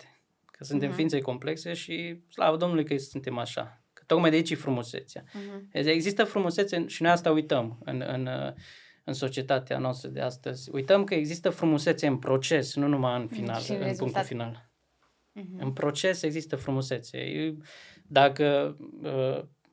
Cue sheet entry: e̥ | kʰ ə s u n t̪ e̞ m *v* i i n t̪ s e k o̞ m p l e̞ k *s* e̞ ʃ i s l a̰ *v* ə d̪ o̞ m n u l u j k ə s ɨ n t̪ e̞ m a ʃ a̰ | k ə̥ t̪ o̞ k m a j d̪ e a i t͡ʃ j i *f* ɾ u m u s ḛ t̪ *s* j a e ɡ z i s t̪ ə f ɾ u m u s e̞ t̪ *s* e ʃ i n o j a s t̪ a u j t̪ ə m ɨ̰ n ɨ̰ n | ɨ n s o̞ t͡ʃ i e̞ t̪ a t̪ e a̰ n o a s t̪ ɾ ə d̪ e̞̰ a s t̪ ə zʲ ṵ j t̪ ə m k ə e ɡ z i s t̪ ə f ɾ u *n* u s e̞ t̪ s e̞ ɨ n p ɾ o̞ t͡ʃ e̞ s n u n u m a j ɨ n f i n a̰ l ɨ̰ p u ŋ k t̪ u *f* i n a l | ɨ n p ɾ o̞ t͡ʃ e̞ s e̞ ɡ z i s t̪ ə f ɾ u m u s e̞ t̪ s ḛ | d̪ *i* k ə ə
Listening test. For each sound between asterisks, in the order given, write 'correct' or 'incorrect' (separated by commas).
incorrect, correct, correct, correct, correct, correct, incorrect, correct, incorrect